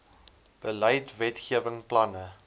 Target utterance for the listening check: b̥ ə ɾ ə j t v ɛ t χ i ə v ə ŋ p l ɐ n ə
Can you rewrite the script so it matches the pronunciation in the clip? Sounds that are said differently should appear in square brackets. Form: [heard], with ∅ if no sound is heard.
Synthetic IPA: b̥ ə [l] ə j t v ɛ t χ i ə v ə ŋ p l ɐ n ə